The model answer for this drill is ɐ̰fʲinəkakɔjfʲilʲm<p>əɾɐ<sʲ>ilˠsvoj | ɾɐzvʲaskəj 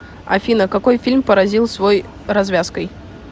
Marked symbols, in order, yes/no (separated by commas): yes, no